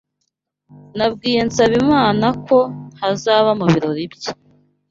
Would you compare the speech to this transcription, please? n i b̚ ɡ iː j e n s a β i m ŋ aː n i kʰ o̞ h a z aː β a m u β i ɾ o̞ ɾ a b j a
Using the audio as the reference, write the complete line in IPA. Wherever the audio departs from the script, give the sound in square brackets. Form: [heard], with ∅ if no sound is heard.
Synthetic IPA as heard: n [a] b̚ ɡ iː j e n s a β i m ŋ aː n [a] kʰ o̞ h a z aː β a m u β i ɾ o̞ ɾ [i] b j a